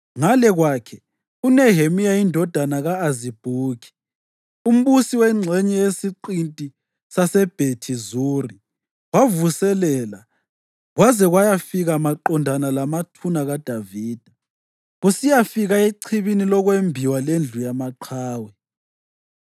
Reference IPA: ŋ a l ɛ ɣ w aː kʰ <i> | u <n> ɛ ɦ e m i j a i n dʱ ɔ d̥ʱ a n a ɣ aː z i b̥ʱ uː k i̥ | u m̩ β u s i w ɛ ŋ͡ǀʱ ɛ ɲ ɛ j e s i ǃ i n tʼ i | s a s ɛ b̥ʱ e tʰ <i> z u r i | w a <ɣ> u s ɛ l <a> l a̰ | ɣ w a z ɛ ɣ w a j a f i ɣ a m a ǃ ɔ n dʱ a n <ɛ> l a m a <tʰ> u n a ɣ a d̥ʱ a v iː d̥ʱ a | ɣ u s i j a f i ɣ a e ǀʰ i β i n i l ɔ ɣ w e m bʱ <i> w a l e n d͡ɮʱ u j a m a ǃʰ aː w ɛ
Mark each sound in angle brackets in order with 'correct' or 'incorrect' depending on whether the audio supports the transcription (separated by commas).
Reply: incorrect, correct, correct, incorrect, incorrect, incorrect, correct, correct